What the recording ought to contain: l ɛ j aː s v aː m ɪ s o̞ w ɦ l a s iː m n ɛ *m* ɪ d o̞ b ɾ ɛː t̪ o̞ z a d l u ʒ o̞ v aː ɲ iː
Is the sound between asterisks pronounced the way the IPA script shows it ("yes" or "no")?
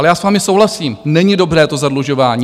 no